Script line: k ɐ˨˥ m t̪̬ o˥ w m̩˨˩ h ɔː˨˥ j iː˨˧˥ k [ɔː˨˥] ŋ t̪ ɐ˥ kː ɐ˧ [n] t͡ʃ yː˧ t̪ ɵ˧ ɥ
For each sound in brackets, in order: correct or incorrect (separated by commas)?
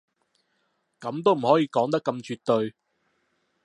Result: correct, incorrect